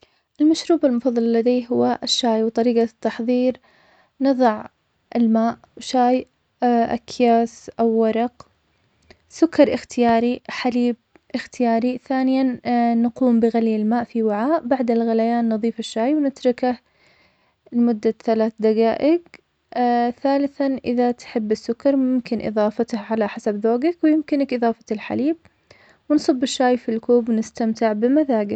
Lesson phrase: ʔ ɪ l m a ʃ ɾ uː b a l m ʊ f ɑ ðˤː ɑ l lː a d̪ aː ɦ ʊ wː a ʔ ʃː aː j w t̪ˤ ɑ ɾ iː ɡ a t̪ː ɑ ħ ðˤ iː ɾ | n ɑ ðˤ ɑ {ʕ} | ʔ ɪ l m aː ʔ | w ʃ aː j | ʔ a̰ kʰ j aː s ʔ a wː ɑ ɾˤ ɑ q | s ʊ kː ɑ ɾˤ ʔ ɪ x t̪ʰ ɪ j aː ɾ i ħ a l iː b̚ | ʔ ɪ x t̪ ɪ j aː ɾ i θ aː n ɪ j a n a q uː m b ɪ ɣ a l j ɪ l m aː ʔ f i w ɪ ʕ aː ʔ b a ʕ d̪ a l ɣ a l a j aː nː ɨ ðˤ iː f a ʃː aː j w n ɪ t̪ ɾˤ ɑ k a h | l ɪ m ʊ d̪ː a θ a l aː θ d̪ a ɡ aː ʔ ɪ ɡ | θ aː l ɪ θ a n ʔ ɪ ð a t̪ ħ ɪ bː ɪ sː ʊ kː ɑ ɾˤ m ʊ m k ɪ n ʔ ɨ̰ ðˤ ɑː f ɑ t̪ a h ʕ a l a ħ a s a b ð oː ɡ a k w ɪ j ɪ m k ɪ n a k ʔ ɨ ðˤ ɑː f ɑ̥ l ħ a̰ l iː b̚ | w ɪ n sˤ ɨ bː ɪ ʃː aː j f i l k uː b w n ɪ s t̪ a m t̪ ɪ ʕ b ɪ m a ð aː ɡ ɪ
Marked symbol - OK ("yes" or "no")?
yes